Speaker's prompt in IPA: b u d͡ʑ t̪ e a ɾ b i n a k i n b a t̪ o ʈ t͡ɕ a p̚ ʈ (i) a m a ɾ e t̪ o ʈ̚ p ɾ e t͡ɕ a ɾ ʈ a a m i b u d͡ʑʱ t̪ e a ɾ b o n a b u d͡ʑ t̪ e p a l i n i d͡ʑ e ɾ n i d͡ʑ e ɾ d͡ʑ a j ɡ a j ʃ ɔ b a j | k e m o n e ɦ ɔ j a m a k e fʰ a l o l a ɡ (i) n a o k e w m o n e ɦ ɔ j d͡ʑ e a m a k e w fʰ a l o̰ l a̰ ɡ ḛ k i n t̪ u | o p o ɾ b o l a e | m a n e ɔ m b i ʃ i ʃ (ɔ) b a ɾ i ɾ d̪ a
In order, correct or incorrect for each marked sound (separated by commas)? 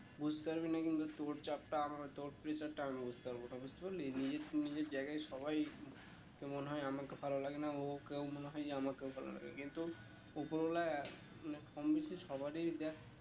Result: incorrect, incorrect, correct